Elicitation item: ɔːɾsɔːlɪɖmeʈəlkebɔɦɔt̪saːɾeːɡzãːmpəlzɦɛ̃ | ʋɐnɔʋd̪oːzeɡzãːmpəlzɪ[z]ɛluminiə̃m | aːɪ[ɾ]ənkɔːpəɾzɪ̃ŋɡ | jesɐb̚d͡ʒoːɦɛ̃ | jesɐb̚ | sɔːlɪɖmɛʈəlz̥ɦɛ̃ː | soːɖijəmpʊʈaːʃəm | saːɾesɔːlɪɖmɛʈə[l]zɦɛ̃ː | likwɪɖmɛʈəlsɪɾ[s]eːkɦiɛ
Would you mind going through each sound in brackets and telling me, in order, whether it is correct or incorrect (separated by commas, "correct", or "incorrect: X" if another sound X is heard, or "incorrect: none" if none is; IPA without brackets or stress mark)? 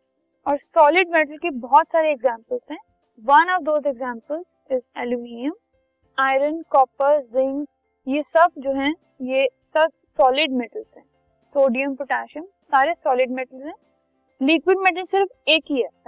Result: correct, correct, correct, incorrect: f